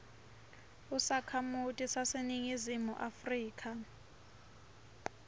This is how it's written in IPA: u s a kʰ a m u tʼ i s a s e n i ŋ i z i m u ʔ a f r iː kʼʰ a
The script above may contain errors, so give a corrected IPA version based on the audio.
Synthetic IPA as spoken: u s a kʰ a m u tʼ i s a s e n i ŋ i z i m u ʔ a f r iː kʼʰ a

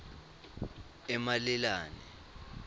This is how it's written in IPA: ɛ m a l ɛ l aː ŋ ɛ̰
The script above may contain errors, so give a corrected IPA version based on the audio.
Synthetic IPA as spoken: ɛ m a l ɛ l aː n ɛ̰

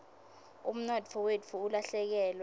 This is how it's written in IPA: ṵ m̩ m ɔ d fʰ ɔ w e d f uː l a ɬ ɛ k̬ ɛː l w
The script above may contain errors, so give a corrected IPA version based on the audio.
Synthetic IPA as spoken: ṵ m̩ n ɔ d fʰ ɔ w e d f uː l a ɬ ɛ k̬ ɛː l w

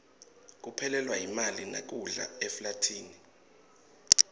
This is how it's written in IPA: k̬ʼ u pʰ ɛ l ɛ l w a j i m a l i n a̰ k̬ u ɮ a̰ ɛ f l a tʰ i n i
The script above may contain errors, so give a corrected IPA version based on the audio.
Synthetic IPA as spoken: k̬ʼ u pʰ ɛ l ɛ l w a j i m a l i n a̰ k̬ u ɮ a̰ ɛ f l a tʰ iː n i

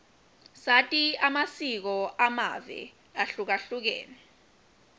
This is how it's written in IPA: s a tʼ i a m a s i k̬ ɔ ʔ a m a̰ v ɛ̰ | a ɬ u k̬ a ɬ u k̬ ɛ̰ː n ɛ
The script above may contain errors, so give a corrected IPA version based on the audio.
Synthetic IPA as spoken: s a tʼ i a m a s i k̬ ɔ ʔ a m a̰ v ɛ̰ | a ɬ u k̬ a ɬ u k̬ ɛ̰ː n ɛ

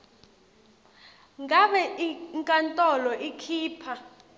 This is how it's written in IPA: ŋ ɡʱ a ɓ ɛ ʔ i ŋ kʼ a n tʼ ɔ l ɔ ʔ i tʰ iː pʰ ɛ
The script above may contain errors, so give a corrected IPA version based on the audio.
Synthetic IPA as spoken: ŋ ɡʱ a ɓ ɛ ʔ i ŋ kʼ a n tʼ ɔ l ɔ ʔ i kʰ iː pʰ a

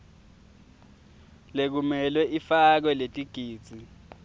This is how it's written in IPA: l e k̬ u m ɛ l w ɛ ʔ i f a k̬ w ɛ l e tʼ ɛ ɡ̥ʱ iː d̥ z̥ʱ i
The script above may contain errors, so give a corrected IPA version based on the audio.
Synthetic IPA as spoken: l e k̬ u m ɛ l w ɛ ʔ i f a k̬ w ɛ l e tʼ i ɡ̥ʱ iː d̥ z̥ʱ i

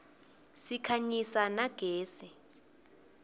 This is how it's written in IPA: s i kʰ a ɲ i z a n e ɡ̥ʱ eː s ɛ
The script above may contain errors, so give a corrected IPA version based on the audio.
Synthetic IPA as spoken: s i kʰ a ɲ i s a n a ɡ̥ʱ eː s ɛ

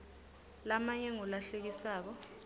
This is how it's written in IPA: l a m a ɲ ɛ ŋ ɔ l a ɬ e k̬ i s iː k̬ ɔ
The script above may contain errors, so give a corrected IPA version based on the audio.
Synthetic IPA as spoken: l a m a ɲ ɛ ŋ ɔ l a ɬ e k̬ i s aː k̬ ɔ

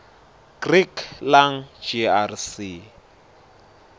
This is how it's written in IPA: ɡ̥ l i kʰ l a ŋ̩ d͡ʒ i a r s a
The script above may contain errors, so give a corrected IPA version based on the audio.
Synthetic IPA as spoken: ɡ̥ r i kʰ l a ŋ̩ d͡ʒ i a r s i

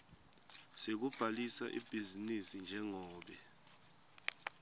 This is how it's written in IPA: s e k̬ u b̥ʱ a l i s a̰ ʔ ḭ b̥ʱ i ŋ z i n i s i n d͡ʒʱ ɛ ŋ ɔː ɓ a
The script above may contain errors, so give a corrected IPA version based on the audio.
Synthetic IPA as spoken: s e k̬ u b̥ʱ a l i s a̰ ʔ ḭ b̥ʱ i z i n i s i n d͡ʒʱ ɛ ŋ ɔː ɓ ɛ

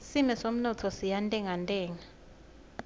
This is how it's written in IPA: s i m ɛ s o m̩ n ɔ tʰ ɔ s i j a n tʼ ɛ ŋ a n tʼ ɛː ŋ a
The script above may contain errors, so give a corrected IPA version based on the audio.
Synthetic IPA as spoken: s i m ɛ s o m̩ n ɔ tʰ ɔ s i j a n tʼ ɛ ŋ a n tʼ ɛː ŋ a

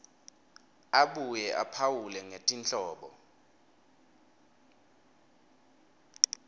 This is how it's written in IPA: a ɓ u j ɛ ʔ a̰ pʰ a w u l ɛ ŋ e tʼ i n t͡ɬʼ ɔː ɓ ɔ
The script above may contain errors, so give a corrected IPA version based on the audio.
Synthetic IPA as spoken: a ɓ u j ɛ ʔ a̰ pʰ a w u l ɛ ŋ e tʼ i n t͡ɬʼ ɔː ɓ ɔ

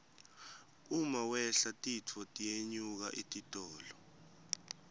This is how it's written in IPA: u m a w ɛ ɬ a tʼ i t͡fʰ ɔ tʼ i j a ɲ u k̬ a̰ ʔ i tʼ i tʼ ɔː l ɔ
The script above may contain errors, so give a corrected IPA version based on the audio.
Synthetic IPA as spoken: u m a w ɛ ɬ a tʼ i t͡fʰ ɔ tʼ i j e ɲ u k̬ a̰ ʔ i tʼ i tʼ ɔː l ɔ

